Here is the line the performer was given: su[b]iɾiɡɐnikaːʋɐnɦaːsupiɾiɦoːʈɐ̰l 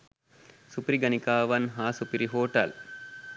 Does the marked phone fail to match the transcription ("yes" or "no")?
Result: yes